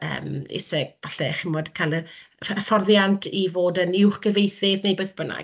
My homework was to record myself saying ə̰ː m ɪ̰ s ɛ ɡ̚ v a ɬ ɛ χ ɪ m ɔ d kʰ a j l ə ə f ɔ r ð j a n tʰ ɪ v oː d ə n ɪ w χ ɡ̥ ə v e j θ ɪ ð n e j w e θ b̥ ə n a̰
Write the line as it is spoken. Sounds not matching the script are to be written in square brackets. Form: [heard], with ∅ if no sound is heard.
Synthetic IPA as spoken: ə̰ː m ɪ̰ s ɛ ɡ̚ v a ɬ ɛ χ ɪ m ɔ d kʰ a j l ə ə f ɔ r ð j a n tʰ [i] v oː d ə n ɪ w χ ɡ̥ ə v e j θ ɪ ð n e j [b] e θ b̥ ə n a̰